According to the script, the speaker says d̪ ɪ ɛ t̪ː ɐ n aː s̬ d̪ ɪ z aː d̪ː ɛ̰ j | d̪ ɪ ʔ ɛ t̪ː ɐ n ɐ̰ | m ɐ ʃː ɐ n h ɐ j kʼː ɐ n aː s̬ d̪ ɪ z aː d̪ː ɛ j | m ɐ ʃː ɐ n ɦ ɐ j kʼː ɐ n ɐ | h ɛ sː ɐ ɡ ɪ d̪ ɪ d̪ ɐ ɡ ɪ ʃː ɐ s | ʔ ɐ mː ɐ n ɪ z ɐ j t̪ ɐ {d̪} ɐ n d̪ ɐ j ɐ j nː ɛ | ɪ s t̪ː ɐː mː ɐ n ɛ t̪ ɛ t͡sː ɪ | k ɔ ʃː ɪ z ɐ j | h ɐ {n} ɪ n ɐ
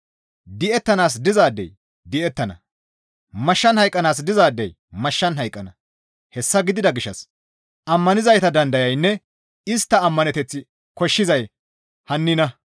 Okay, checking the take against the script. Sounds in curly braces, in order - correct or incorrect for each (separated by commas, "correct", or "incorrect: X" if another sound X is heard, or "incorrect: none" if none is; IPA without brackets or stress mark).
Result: correct, incorrect: nː